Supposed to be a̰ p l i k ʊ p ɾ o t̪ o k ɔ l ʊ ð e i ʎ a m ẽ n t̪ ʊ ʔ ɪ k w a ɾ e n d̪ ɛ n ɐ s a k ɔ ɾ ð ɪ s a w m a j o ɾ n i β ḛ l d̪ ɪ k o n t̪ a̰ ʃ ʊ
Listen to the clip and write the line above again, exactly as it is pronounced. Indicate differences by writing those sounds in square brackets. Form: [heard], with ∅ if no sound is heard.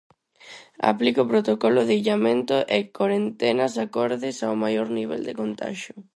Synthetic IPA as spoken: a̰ p l i k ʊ p ɾ o t̪ o k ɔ l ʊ ð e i ʎ a m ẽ n t̪ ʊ ʔ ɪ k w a ɾ e n [t̪] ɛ n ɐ s a k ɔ ɾ ð ɪ s a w m a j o ɾ n i β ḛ l d̪ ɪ k o n t̪ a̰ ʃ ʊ

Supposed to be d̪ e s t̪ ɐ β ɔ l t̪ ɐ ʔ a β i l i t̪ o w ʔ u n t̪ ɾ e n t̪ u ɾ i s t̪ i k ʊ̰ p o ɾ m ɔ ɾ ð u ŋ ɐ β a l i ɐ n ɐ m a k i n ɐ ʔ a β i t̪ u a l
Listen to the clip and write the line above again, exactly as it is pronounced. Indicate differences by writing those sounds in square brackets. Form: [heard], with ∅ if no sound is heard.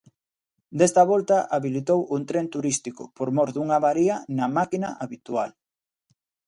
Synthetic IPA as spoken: d̪ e s t̪ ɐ β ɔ l t̪ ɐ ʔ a β i l i t̪ o w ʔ u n t̪ ɾ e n t̪ u ɾ i s t̪ i k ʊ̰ p o ɾ m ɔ ɾ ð u ŋ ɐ β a [ɾ] i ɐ n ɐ m a k i n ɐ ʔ a β i t̪ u a l

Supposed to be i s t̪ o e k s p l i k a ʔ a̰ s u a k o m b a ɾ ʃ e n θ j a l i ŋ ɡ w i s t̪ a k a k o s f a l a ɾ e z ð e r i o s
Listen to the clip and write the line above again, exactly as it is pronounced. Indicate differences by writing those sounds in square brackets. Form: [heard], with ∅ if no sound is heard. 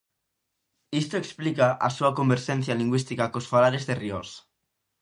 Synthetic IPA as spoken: i s t̪ o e k s p l i k a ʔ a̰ s u a k o m b [e] ɾ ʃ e n θ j a l i ŋ ɡ w i s t̪ [i] k a k o s f a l a ɾ e z ð e r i o s

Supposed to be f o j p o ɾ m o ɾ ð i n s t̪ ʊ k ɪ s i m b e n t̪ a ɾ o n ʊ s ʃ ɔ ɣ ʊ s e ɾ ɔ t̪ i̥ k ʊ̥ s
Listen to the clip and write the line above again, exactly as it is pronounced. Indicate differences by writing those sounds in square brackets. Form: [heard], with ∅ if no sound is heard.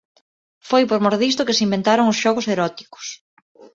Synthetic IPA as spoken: f o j p o ɾ m o ɾ ð i [∅] s t̪ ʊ k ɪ s i m b e n t̪ a ɾ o [ŋ] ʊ s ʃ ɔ ɣ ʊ s e ɾ ɔ t̪ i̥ k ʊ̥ s

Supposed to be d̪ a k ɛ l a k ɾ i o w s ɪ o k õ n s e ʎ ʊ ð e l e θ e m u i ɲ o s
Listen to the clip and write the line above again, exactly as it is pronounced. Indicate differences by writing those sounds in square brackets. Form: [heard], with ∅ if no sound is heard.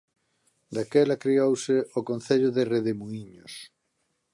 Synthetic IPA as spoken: d̪ a k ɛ l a k ɾ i o w s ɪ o k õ n [θ] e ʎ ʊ ð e [r] e [ð] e m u i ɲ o s

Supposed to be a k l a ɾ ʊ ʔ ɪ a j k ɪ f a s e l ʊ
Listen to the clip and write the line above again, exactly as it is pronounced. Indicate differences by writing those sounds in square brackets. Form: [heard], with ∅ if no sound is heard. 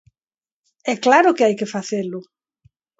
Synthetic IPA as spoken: [ɛ] k l a ɾ ʊ [k] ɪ a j k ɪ f a [θ] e l ʊ

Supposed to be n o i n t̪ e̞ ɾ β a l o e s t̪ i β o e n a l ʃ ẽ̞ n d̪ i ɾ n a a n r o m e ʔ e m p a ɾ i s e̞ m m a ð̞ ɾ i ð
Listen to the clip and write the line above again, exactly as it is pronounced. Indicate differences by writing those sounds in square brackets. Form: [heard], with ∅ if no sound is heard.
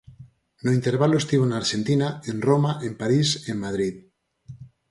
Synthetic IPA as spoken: n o i n t̪ e̞ ɾ β a l o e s t̪ i β o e n a [ɾ] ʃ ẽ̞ n [t̪] i [∅] n a [e] n r o m [a] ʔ e m p a ɾ i s e̞ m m a ð̞ ɾ i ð

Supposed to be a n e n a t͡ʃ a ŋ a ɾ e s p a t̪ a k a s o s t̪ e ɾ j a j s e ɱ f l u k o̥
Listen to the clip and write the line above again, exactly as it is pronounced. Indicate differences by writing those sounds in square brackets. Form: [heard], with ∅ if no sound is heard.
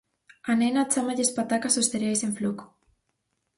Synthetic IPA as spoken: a n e n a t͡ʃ a [m] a [ʎ] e s p a t̪ a k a s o s t̪ e ɾ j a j s e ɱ f l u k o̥

